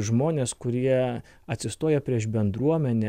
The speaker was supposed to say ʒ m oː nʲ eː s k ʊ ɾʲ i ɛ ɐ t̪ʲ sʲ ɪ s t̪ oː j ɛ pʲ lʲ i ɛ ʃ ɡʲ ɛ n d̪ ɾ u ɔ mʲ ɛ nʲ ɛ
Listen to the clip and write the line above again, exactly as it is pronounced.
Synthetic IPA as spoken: ʒ m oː nʲ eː s k ʊ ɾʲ i ɛ ɐ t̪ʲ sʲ ɪ s t̪ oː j ɛ pʲ ɾʲ i ɛ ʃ bʲ ɛ n d̪ ɾ u ɔ mʲ ɛ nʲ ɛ